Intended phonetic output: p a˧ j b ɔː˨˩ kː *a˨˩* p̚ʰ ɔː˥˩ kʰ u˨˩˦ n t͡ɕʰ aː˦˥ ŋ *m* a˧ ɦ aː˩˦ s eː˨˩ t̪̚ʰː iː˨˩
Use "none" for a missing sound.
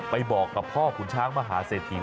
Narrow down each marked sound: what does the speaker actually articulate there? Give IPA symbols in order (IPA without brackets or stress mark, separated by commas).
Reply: a˨˩, m